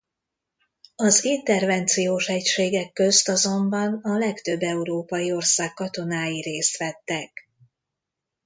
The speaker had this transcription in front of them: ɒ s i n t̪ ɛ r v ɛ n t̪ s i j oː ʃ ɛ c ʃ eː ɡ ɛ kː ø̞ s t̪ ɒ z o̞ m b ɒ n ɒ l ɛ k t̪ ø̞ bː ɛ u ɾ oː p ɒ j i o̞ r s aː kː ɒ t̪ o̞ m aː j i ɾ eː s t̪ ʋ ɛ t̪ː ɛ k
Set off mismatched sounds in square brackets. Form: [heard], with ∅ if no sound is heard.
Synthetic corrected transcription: ɒ [z] i n t̪ ɛ r v ɛ n t̪ s i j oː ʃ ɛ c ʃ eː ɡ ɛ kː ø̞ s t̪ ɒ z o̞ m b ɒ n ɒ l ɛ k t̪ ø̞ bː ɛ u ɾ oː p ɒ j i o̞ r s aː kː ɒ t̪ o̞ [n] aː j i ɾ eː s t̪ ʋ ɛ t̪ː ɛ k

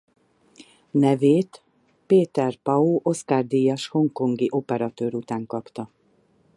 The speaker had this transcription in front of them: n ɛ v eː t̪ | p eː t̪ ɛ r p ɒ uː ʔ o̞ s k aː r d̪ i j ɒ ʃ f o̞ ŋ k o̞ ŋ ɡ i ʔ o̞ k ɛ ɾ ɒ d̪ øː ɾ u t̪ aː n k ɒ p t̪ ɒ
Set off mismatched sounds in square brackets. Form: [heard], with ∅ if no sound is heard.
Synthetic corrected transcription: n ɛ v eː t̪ | p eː t̪ ɛ r p ɒ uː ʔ o̞ s k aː r d̪ i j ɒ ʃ [h] o̞ ŋ k o̞ ŋ ɡ i ʔ o̞ [p] ɛ ɾ ɒ [t̪] øː ɾ u t̪ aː [ŋ] k ɒ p t̪ ɒ

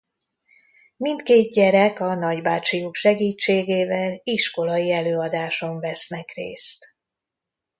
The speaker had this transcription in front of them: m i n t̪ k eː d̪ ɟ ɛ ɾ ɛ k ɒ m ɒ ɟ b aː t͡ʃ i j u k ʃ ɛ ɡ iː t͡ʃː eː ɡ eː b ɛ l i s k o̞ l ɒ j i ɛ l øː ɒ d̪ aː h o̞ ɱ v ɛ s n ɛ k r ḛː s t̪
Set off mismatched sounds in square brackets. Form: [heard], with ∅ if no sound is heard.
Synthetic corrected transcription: m i n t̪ k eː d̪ ɟ ɛ ɾ ɛ k ɒ [n] ɒ ɟ b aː t͡ʃ i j u k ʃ ɛ ɡ iː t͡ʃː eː ɡ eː [v] ɛ l i [ʃ] k o̞ l ɒ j i ɛ l øː ɒ d̪ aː [ʃ] o̞ ɱ v ɛ s n ɛ k r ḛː s t̪

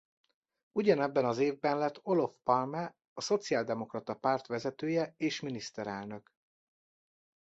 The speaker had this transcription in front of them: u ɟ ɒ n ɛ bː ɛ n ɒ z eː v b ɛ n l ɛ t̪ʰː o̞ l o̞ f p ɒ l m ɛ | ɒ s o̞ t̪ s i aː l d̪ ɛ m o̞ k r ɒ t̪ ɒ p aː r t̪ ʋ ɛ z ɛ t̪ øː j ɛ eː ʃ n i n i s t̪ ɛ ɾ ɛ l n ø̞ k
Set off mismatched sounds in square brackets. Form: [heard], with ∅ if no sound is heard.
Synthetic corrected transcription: u ɟ ɒ n ɛ bː ɛ n ɒ z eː v b ɛ n l ɛ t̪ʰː o̞ l o̞ f p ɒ l m ɛ | ɒ s o̞ t̪ s i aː l d̪ ɛ m o̞ k r ɒ t̪ ɒ p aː r t̪ ʋ ɛ z ɛ t̪ øː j ɛ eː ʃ [m] i n i s t̪ ɛ ɾ ɛ l n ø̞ k

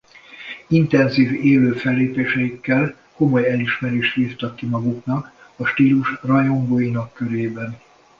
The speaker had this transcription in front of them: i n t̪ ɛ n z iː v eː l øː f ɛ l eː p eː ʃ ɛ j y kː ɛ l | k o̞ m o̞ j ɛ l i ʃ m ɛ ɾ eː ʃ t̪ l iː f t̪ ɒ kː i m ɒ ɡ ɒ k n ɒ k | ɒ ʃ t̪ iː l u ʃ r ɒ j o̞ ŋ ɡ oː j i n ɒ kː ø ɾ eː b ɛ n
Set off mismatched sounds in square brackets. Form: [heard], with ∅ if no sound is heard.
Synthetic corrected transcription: i n t̪ ɛ n z iː v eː l øː f ɛ [lː] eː p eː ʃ ɛ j [i] kː ɛ l | k o̞ m o̞ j ɛ l i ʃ m ɛ ɾ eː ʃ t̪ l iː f t̪ ɒ kː i m ɒ ɡ [u] k n ɒ k | ɒ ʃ t̪ iː l u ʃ r ɒ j o̞ ŋ ɡ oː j i n ɒ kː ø ɾ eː b ɛ n

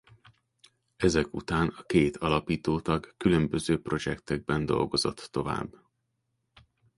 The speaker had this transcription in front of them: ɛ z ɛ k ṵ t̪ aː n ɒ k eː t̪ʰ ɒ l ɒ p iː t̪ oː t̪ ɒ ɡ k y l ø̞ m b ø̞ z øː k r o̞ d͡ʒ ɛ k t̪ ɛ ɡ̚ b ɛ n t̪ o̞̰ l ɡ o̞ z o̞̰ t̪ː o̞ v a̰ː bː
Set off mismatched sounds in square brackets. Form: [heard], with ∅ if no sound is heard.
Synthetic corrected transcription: ɛ z ɛ k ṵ t̪ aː n ɒ k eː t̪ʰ ɒ l ɒ p iː t̪ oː t̪ ɒ ɡ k y l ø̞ m b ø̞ z øː [p] r o̞ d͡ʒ ɛ k t̪ ɛ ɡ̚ b ɛ n [d̪] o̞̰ l ɡ o̞ z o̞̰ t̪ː o̞ v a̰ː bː

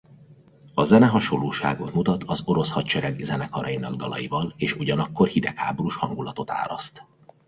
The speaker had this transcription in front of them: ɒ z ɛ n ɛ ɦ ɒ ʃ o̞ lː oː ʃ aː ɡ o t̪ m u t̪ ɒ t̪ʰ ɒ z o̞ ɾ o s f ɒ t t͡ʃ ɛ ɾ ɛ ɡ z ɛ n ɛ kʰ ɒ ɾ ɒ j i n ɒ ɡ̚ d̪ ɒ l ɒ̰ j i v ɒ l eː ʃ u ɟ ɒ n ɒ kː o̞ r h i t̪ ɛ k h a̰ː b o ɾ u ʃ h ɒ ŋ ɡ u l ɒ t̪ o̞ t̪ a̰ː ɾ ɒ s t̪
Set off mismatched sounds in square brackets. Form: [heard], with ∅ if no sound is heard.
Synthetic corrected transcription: ɒ z ɛ n ɛ ɦ ɒ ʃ o̞ lː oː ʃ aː ɡ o t̪ m u t̪ ɒ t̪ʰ ɒ z o̞ ɾ o s [h] ɒ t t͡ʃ ɛ ɾ ɛ ɡ z ɛ n ɛ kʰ ɒ ɾ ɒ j i n ɒ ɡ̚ d̪ ɒ l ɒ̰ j i v ɒ l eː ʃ u ɟ ɒ n ɒ kː o̞ r h i [d̪] ɛ k h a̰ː b o ɾ u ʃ h ɒ ŋ ɡ u l ɒ t̪ o̞ t̪ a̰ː ɾ ɒ s t̪

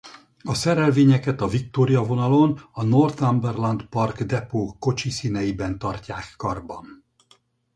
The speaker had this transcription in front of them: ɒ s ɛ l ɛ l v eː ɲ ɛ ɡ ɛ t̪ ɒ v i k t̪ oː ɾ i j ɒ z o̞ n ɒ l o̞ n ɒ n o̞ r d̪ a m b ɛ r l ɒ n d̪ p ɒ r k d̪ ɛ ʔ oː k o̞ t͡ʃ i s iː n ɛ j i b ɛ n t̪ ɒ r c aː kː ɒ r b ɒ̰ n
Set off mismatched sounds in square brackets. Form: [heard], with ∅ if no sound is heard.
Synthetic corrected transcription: ɒ s ɛ [ɾ] ɛ l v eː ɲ ɛ [k] ɛ t̪ ɒ v i k t̪ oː ɾ i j ɒ [v] o̞ n ɒ l o̞ n ɒ n o̞ r [t̪] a m b ɛ r l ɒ n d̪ p ɒ r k d̪ ɛ [p] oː k o̞ t͡ʃ i s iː n ɛ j i b ɛ n t̪ ɒ r c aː kː ɒ r b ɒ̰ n

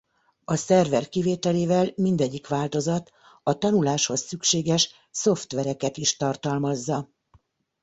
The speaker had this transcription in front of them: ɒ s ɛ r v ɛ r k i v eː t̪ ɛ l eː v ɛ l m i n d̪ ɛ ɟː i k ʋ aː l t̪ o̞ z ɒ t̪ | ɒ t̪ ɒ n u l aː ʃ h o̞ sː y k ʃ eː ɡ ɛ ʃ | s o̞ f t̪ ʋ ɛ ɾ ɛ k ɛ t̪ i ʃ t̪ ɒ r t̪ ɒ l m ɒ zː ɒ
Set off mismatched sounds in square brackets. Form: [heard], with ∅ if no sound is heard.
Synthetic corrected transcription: ɒ s ɛ r v ɛ r k i v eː t̪ ɛ l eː v ɛ l m i n d̪ ɛ ɟː i k ʋ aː l t̪ o̞ z ɒ t̪ | ɒ t̪ ɒ n u l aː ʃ h o̞ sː y k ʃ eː ɡ ɛ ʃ | s o̞ f t̪ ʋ ɛ ɾ ɛ k ɛ t̪ i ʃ t̪ ɒ r t̪ ɒ l m ɒ zː ɒ

